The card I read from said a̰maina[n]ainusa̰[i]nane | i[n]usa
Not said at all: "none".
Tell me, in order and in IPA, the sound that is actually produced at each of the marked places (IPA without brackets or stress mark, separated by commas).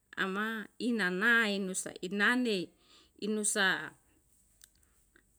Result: n, i, n